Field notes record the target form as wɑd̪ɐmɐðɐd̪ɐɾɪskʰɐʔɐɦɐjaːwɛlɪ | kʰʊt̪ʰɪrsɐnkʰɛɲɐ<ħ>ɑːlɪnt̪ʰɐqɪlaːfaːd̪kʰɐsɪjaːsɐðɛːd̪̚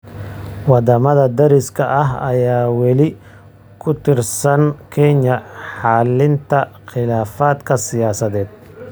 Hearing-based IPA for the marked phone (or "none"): ħ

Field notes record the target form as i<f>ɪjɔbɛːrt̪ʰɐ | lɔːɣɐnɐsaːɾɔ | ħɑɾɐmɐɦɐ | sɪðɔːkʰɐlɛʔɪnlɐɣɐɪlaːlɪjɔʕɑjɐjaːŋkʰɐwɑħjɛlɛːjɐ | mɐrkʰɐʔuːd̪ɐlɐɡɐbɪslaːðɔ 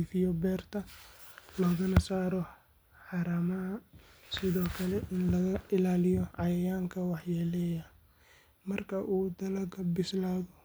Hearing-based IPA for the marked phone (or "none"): f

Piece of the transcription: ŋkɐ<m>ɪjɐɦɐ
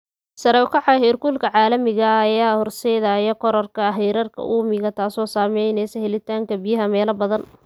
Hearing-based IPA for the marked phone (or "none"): b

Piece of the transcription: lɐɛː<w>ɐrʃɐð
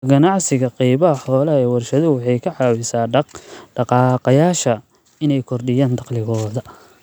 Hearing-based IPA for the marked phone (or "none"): w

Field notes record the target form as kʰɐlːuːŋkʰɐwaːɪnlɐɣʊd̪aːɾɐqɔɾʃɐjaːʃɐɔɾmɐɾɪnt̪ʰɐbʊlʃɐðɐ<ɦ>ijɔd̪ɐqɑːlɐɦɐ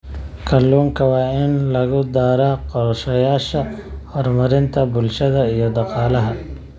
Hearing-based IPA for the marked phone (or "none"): none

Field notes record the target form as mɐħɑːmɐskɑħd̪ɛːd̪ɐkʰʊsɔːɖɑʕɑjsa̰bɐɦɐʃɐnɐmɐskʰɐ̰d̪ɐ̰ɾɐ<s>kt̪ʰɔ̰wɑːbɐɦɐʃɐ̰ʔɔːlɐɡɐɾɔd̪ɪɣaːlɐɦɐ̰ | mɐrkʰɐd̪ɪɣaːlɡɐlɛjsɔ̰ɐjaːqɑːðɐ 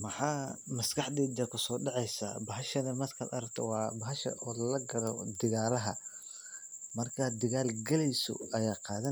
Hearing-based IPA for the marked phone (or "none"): none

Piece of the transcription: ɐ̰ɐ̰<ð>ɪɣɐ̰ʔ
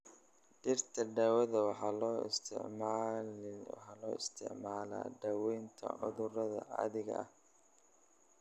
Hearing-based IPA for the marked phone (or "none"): ð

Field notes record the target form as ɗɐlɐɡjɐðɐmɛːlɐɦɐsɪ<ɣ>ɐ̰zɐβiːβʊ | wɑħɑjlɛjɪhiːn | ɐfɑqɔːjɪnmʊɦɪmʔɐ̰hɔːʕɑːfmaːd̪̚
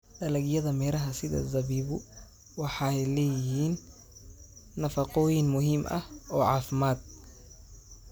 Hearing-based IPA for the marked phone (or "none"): ð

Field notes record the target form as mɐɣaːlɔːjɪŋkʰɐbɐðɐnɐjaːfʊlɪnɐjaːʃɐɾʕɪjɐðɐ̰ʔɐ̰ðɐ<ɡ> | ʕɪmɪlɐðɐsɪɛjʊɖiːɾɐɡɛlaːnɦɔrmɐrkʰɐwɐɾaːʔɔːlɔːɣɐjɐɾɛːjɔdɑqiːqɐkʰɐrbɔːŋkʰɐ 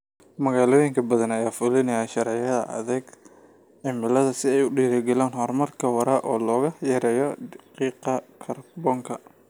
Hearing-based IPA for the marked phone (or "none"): ɡ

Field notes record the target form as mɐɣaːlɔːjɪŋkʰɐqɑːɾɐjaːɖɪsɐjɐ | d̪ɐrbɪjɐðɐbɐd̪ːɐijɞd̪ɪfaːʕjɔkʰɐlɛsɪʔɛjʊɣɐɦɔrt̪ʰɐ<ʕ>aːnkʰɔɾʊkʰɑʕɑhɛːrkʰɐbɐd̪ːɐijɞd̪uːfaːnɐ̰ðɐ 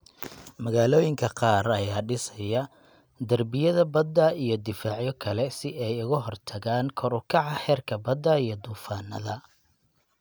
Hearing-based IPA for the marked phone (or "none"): ɣ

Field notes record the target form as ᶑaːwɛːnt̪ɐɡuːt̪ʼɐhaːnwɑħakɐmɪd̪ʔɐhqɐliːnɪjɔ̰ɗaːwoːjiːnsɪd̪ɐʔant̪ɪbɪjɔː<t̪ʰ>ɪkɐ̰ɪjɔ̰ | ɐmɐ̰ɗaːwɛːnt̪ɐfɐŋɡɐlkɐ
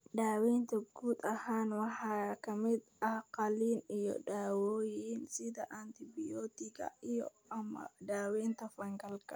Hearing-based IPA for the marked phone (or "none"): t̪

